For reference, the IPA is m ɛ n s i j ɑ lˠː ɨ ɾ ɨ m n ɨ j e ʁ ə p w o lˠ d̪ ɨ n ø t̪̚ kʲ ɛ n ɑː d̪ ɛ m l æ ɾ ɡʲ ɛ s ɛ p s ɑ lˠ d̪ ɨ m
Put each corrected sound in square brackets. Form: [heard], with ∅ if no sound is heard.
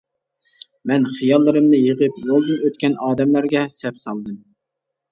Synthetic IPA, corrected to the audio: m ɛ n [χ] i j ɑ lˠː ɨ ɾ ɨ m n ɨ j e ʁ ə p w o lˠ d̪ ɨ n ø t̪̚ kʲ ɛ n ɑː d̪ ɛ m l æ ɾ ɡʲ ɛ s ɛ p s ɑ lˠ d̪ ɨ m